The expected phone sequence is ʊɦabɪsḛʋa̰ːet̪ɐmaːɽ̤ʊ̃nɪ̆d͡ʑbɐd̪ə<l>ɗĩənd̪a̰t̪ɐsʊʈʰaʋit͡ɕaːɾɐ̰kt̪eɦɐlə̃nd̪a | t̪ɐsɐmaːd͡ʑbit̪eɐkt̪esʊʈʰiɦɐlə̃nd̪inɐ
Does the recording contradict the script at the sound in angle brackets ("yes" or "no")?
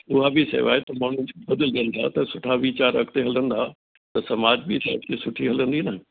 no